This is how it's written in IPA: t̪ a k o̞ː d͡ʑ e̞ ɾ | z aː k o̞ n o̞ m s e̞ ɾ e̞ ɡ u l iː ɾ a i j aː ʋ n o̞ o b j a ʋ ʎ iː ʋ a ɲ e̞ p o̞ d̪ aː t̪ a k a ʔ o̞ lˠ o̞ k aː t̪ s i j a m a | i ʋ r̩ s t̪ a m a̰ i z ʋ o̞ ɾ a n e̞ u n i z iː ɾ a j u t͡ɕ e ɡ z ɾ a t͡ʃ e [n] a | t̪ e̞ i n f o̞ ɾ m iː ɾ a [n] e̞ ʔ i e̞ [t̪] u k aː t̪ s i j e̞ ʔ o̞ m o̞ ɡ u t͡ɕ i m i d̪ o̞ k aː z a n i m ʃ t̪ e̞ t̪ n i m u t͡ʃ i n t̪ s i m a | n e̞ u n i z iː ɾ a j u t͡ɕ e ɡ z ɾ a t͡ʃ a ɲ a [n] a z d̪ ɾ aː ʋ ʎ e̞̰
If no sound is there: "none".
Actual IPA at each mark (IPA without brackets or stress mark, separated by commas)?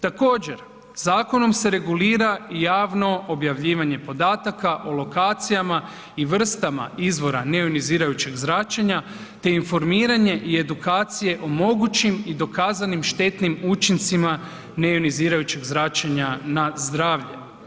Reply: ɲ, ɲ, d̪, n